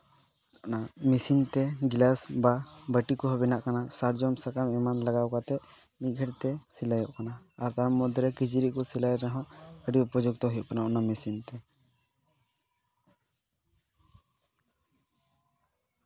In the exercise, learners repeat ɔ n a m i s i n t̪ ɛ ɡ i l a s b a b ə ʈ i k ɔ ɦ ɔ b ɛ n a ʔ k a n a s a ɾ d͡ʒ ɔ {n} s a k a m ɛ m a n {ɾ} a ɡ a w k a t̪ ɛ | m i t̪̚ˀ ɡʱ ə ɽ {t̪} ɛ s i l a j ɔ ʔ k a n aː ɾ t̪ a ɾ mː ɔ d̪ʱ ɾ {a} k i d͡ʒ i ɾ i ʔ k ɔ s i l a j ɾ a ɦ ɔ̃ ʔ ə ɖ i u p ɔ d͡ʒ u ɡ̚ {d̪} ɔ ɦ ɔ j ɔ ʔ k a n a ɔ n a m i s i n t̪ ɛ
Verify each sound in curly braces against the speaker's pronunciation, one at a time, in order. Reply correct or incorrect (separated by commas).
incorrect, incorrect, correct, incorrect, incorrect